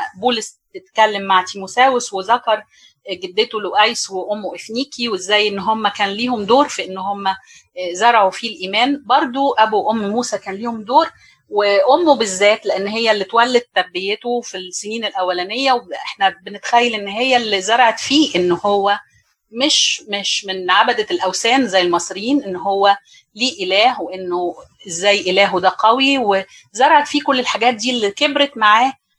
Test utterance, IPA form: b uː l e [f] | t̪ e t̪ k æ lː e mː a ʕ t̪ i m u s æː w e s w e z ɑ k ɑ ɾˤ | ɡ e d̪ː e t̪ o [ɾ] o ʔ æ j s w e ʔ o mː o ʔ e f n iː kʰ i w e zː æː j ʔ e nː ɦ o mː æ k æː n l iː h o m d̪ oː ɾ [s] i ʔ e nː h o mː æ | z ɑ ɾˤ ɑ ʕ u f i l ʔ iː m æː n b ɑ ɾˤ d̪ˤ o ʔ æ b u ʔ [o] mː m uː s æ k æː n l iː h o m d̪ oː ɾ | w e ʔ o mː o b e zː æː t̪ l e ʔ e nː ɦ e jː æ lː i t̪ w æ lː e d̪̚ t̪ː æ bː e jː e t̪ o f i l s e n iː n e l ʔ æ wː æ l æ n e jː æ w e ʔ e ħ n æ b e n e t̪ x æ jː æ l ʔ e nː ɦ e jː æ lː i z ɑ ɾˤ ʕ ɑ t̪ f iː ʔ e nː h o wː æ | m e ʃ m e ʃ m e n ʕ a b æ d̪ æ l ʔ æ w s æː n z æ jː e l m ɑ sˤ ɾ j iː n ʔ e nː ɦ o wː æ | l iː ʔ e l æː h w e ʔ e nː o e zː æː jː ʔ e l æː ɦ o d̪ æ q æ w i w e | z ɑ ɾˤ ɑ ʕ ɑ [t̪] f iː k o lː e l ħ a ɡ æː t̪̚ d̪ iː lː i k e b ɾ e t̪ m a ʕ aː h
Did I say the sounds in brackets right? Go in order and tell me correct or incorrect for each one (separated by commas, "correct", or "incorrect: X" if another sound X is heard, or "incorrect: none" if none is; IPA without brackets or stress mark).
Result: incorrect: s, incorrect: l, incorrect: f, correct, correct